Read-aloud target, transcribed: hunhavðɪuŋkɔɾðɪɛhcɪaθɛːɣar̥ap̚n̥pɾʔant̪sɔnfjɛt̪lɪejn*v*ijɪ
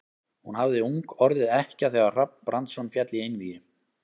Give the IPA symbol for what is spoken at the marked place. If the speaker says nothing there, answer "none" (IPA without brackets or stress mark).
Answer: v